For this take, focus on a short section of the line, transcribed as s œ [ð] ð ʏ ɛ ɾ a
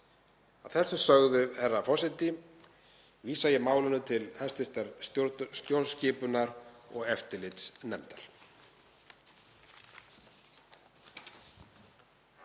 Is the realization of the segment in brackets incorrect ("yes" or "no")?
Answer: yes